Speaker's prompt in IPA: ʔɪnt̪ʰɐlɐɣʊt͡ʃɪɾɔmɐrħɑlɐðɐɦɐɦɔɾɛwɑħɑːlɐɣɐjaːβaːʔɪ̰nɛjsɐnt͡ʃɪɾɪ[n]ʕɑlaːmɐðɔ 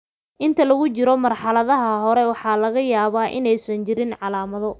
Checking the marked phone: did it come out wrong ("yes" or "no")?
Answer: no